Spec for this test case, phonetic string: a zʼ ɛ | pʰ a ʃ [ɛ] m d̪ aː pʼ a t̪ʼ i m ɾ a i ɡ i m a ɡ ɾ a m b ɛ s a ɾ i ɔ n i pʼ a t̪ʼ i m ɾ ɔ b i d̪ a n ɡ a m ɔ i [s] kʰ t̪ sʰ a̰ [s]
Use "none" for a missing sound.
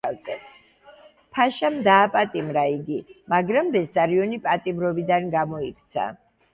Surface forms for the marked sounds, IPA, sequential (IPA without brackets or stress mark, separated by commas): a, none, none